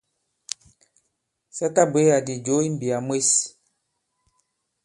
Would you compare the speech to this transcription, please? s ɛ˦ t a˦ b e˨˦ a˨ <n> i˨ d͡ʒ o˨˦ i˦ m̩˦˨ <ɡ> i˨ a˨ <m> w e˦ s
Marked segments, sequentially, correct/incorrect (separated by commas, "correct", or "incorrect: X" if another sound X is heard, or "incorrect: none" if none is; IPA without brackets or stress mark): incorrect: d, incorrect: b, correct